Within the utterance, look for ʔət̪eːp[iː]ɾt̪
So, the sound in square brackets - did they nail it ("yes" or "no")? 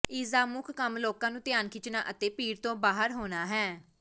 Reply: yes